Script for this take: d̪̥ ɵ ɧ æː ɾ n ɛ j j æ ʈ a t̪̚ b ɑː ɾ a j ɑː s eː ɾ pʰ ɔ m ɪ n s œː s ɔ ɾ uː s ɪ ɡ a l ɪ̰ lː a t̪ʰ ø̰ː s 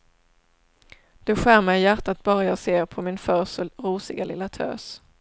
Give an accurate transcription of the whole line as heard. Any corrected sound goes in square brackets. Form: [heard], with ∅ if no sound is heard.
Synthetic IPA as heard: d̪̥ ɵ ɧ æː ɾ [m] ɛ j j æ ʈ a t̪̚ b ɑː ɾ a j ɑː s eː ɾ pʰ ɔ m ɪ n [f] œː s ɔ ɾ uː s ɪ ɡ a l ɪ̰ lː a t̪ʰ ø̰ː s